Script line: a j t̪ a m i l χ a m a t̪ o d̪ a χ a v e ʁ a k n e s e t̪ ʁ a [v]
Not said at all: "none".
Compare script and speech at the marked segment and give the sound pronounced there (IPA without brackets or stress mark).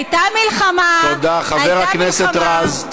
z